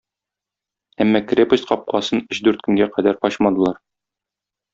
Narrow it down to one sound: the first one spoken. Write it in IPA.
æ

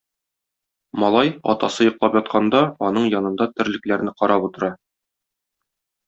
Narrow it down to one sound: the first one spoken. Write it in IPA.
m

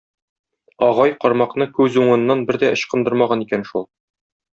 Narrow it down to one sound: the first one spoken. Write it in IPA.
ɒ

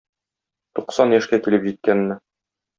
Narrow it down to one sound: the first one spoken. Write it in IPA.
t̪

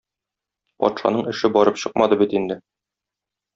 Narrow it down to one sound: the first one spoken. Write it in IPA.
p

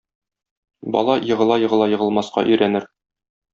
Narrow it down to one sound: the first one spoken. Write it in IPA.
b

